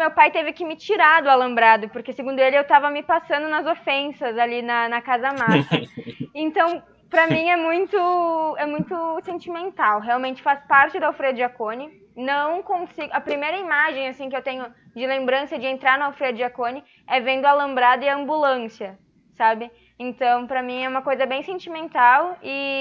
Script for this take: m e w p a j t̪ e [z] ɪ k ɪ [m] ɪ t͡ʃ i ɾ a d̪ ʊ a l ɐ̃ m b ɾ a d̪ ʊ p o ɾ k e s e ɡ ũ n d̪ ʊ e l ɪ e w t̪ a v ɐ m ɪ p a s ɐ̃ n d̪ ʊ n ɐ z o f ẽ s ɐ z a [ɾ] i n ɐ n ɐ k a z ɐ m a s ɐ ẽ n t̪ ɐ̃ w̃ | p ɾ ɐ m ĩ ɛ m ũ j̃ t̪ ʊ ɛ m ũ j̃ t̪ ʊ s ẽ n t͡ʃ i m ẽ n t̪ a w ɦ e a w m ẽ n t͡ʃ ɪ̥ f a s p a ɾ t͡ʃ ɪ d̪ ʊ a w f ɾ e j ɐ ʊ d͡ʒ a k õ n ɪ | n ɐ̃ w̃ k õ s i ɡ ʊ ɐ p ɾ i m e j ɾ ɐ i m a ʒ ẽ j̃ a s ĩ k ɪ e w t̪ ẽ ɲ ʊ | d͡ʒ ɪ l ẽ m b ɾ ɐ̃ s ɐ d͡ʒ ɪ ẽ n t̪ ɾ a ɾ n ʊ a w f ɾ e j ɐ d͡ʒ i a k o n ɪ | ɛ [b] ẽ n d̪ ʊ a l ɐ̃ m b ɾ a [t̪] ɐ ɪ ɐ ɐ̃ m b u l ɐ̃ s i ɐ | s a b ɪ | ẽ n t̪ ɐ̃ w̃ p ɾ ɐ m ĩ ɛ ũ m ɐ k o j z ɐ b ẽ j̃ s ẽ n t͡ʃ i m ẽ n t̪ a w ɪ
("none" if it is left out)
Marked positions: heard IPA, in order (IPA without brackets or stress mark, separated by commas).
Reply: v, m, l, v, d̪